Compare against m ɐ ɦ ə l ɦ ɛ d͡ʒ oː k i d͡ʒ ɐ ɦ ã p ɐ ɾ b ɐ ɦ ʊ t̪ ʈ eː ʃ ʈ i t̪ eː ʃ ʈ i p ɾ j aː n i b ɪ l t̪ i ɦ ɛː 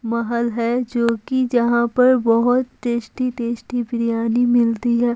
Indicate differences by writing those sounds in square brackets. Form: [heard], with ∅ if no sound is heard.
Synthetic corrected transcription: m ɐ ɦ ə l ɦ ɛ d͡ʒ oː k i d͡ʒ ɐ ɦ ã p ɐ ɾ b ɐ ɦ ʊ t̪ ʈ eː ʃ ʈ i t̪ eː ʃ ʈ i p ɾ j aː n i [m] ɪ l t̪ i ɦ ɛː